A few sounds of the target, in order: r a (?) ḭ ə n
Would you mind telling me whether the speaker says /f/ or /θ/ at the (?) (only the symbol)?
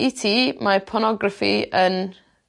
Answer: f